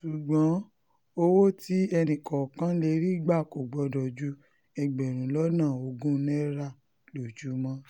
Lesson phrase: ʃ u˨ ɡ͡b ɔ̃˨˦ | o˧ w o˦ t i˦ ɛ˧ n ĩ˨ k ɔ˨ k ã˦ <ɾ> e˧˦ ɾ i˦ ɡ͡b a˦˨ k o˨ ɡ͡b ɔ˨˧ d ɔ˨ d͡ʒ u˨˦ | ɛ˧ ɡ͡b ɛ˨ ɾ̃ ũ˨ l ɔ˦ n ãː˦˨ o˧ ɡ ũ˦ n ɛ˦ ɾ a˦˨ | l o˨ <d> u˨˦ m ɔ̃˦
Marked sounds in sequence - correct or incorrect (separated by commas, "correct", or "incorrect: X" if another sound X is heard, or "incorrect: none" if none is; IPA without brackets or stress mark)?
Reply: incorrect: l, incorrect: d͡ʒ